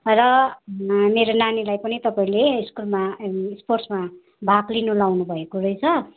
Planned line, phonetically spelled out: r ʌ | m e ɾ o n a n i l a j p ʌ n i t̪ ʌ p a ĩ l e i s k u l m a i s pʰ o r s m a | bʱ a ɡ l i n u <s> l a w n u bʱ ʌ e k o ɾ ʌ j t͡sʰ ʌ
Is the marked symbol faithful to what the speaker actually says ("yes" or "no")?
no